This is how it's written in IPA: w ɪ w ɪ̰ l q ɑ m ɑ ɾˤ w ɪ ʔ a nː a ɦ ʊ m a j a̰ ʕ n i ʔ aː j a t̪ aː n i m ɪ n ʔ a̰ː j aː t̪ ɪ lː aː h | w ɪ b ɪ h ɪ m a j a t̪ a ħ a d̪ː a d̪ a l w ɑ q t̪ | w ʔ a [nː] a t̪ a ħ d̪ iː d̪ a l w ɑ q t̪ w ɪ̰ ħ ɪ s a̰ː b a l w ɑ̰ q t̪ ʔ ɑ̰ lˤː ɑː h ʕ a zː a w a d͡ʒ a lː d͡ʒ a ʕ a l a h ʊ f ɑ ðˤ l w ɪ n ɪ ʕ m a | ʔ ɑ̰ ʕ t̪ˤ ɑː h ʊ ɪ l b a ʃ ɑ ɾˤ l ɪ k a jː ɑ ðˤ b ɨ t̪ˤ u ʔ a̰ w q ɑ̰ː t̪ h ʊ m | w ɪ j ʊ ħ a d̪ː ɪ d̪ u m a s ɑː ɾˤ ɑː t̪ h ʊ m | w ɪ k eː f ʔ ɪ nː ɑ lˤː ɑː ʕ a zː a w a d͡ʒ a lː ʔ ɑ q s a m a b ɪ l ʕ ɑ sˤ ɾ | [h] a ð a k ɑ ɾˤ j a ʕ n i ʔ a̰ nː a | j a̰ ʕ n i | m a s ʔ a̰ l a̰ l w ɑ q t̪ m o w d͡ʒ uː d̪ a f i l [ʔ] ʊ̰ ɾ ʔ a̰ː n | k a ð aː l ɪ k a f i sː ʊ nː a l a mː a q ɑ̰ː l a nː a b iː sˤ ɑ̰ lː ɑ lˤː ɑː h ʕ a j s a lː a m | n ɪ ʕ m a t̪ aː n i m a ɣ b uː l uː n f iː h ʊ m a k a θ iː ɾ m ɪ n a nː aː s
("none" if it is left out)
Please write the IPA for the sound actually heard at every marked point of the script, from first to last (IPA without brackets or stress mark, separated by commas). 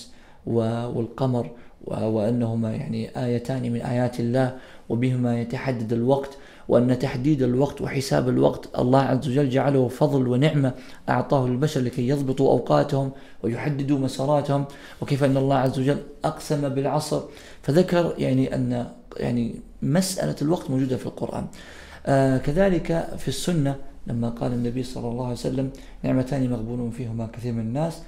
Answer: nː, f, q